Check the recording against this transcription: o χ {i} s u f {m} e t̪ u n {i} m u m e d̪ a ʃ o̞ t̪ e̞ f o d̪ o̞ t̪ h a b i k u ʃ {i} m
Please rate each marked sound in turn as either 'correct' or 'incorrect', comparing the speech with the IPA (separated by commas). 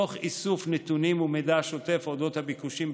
correct, incorrect, correct, correct